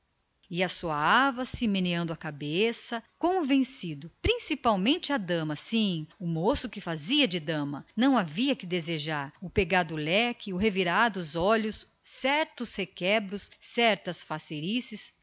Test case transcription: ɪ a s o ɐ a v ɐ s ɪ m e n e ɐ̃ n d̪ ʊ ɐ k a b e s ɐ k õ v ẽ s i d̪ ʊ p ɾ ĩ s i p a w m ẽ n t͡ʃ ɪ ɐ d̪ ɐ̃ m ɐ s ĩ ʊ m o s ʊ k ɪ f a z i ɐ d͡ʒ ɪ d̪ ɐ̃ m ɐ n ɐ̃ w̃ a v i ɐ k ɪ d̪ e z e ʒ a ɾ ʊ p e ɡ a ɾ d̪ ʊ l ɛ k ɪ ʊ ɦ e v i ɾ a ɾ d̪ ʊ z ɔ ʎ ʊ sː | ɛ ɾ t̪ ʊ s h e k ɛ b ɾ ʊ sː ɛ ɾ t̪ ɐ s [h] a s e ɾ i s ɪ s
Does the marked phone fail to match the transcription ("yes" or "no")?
yes